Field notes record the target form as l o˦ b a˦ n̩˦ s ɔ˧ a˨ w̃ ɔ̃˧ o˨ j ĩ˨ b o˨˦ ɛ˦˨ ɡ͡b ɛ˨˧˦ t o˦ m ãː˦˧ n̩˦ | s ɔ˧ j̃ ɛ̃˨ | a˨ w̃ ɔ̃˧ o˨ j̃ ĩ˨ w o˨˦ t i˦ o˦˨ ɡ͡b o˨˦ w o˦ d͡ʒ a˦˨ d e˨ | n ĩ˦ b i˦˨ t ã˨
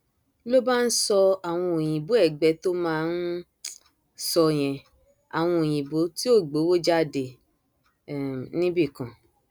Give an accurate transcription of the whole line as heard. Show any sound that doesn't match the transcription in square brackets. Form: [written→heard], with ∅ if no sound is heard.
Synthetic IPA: l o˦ b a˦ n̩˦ s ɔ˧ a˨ w̃ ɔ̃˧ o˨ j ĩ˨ b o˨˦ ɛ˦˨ ɡ͡b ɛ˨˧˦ t o˦ m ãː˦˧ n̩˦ | s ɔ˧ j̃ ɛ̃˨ | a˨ w̃ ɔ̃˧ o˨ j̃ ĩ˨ [w→b] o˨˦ t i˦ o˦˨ ɡ͡b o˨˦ w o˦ d͡ʒ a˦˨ d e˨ | n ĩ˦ b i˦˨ [t→k] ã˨